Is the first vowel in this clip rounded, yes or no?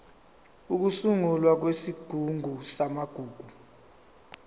yes